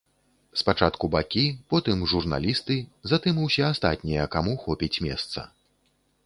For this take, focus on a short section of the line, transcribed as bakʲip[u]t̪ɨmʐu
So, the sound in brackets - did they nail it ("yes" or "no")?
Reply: no